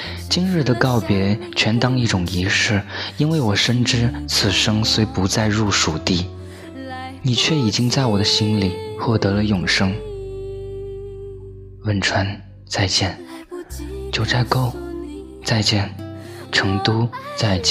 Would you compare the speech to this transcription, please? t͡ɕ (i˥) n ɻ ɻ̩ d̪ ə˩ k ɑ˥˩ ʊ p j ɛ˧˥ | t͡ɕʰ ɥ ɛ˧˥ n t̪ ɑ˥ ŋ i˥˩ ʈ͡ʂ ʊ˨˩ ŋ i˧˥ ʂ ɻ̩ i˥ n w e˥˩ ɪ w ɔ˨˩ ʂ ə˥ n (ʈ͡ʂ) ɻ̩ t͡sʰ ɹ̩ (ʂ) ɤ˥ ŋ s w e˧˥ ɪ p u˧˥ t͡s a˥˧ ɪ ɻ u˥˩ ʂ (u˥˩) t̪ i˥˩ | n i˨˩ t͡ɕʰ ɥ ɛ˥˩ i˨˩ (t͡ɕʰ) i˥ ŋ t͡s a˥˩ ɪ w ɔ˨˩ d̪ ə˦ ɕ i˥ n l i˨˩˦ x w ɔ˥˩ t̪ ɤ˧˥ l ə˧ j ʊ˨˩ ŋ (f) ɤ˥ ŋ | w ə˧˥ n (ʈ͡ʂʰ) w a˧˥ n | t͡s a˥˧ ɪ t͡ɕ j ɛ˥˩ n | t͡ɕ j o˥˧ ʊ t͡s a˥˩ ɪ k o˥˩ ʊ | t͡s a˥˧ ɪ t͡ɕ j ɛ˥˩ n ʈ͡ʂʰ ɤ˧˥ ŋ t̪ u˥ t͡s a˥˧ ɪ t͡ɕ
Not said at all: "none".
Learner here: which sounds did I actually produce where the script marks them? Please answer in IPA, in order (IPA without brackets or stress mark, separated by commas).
i˥, ʈ͡ʂ, ʂ, u˨˩, t͡ɕ, ʂ, ʈ͡ʂʰ